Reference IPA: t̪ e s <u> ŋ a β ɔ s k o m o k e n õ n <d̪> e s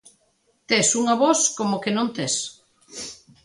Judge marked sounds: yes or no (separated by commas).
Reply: yes, no